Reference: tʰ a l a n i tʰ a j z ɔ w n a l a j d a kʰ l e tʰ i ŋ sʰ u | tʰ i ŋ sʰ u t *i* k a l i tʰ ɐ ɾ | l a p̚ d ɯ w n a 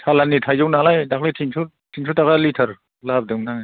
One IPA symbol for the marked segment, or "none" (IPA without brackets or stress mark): a